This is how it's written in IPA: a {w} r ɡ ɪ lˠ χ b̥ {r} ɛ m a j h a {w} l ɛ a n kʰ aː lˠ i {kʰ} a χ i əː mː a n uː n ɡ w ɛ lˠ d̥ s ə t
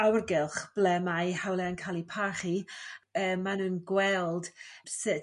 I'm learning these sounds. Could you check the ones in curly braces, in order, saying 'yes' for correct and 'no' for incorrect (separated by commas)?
yes, no, yes, no